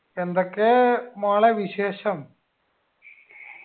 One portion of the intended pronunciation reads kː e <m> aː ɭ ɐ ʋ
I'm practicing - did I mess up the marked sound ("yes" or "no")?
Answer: no